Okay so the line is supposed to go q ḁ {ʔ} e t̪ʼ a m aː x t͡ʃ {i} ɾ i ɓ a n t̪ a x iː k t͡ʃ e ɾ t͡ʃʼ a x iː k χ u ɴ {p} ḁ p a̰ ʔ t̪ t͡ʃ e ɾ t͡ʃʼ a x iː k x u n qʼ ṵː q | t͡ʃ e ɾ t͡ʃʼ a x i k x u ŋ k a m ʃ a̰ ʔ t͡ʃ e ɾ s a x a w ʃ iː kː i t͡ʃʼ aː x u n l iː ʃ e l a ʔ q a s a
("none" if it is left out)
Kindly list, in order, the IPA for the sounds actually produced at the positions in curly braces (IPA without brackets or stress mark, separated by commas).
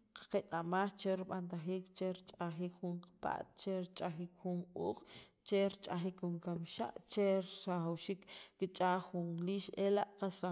q, e, q